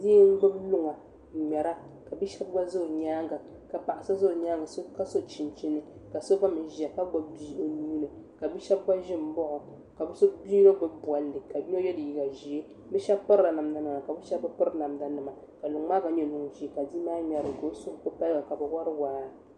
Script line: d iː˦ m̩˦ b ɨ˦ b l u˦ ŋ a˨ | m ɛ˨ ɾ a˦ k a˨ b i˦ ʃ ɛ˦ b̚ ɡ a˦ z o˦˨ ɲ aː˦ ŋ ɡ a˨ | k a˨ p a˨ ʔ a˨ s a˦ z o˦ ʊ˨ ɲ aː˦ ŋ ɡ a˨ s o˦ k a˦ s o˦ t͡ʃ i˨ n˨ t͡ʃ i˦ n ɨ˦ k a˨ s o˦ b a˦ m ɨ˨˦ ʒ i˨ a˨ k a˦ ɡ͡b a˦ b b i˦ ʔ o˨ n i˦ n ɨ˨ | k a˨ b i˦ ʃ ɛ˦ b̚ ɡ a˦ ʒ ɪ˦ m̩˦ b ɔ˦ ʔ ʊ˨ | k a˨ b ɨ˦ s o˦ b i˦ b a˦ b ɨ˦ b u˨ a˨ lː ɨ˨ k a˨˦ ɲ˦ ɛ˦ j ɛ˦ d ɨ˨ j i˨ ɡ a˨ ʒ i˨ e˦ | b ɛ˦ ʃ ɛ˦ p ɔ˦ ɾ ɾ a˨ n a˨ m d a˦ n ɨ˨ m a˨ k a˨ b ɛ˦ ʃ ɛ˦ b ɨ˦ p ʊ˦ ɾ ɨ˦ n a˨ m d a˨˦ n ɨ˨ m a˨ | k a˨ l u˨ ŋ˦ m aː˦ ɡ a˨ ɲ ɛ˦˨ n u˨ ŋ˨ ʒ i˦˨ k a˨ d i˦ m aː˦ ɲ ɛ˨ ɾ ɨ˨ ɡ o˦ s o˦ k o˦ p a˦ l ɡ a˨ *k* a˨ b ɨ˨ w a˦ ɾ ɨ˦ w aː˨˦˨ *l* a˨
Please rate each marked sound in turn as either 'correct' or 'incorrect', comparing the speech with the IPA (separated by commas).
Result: correct, incorrect